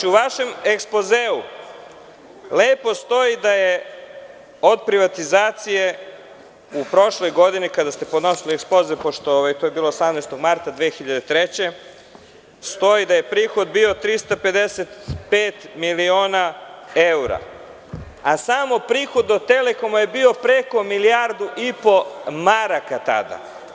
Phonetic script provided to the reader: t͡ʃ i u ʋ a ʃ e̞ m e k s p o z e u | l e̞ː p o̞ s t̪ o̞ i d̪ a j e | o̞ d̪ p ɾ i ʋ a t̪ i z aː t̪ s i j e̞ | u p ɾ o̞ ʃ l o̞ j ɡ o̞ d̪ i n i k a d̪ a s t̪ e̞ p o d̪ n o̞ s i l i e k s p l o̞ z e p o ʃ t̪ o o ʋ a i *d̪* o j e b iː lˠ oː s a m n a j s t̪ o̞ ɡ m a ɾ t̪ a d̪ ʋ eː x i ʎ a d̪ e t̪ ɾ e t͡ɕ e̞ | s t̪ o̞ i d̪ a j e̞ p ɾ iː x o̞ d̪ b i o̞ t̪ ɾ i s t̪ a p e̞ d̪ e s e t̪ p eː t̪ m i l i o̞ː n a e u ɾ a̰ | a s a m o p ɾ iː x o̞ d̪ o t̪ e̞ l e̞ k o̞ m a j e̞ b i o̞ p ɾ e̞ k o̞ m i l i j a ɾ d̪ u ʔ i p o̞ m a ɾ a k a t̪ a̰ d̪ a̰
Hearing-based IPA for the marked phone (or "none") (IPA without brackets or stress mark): t̪